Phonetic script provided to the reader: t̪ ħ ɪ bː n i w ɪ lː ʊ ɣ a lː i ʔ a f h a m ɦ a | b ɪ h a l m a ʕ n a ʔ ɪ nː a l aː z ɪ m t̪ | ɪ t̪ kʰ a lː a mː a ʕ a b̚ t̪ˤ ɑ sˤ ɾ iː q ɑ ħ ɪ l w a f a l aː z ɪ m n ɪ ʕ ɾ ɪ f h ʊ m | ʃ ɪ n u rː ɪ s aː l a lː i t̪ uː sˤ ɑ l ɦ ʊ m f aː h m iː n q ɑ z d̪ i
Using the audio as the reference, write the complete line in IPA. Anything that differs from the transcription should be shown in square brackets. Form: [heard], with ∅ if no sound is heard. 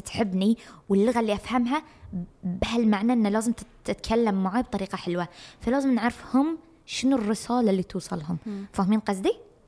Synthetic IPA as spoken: t̪ ħ ɪ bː n i w ɪ lː ʊ ɣ a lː i ʔ a f h a m ɦ a | b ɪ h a l m a ʕ n a ʔ ɪ nː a l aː z ɪ m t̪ | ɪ t̪ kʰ a lː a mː a ʕ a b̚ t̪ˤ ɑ [∅] ɾ iː q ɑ ħ ɪ l w a f a l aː z ɪ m n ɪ ʕ ɾ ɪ f h ʊ m | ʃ ɪ n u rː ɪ s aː l a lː i t̪ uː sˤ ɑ l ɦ ʊ m f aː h m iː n q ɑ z d̪ i